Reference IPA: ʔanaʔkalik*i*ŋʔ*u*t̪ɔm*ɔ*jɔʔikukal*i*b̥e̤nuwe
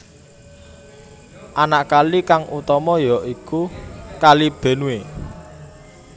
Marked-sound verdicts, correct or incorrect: incorrect, correct, correct, correct

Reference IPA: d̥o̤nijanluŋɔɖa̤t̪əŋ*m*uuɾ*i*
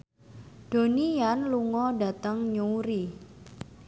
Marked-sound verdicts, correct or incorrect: incorrect, correct

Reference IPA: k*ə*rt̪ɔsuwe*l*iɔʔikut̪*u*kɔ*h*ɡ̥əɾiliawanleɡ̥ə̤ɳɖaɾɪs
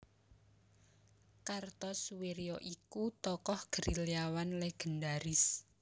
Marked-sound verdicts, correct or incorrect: incorrect, incorrect, incorrect, correct

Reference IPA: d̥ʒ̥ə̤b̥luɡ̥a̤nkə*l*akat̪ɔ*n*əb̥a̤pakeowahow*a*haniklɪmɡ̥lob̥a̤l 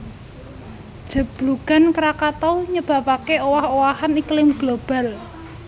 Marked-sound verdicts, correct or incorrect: incorrect, incorrect, correct

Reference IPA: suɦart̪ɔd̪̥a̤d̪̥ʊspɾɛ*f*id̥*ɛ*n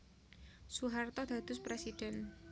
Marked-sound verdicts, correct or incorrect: incorrect, correct

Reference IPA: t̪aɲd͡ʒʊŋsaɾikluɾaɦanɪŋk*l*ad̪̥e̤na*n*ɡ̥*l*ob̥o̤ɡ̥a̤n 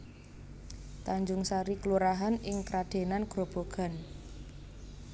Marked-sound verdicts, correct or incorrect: incorrect, correct, incorrect

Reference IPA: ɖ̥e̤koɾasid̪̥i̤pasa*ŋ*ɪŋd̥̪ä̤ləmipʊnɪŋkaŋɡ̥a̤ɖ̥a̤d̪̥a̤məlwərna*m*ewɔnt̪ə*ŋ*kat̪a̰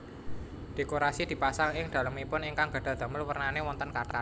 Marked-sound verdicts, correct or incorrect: correct, incorrect, incorrect

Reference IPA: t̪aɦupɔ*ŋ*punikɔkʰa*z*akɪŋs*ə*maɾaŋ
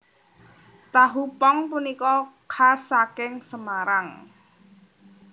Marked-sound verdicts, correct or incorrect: correct, incorrect, correct

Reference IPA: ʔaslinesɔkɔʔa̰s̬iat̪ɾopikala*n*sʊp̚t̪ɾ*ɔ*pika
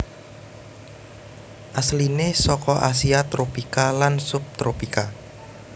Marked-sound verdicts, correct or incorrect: correct, incorrect

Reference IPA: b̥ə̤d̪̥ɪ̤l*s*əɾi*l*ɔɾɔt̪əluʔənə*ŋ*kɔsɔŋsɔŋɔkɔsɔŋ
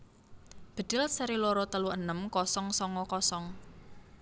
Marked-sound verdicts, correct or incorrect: correct, correct, incorrect

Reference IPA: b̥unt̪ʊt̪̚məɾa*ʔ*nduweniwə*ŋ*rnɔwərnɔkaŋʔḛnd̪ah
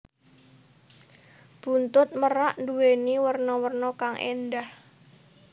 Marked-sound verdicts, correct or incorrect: correct, incorrect

